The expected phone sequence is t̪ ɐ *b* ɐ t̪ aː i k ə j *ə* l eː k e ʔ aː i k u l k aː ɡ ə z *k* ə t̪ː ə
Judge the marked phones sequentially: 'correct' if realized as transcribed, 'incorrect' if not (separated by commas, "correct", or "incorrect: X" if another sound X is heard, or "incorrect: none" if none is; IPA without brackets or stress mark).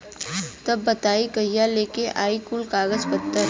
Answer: incorrect: bː, incorrect: a, incorrect: p